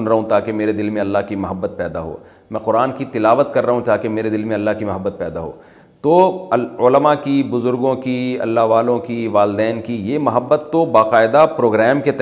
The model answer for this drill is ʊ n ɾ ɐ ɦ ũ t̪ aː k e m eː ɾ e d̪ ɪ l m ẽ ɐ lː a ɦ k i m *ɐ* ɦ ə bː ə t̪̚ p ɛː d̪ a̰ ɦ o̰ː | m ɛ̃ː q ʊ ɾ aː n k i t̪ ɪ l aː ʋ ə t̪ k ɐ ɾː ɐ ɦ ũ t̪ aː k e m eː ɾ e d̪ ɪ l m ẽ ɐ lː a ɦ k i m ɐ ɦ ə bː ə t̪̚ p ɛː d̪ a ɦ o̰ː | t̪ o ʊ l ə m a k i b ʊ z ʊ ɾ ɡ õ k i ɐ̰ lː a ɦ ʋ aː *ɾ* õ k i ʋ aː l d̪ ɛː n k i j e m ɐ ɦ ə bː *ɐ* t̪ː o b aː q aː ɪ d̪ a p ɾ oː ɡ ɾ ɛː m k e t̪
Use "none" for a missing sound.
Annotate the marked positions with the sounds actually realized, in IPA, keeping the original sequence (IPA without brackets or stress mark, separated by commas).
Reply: ɐ, l, ə